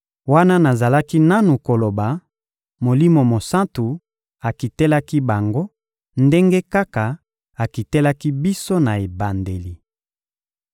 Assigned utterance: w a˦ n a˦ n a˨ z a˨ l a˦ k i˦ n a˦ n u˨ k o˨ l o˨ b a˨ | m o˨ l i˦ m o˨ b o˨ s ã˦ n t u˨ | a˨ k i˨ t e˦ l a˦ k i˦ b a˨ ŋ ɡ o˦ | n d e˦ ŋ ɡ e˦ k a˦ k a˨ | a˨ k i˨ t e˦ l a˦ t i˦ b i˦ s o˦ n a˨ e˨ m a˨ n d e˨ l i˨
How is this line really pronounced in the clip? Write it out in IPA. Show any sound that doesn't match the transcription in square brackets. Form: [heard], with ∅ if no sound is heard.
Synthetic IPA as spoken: w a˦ n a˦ n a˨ z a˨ l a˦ k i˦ n a˦ n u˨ k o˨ l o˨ b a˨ | m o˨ l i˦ m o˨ [m] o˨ s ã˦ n t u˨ | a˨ k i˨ t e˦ l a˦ k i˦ b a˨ ŋ ɡ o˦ | n d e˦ ŋ ɡ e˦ k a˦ k a˨ | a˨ k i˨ t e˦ l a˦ [k] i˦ b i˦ s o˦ n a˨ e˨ [b] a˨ n d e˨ l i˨